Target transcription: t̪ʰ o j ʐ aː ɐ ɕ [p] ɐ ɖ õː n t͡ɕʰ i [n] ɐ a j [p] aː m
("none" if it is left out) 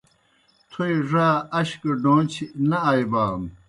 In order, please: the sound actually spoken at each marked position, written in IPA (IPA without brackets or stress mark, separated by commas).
k, n, b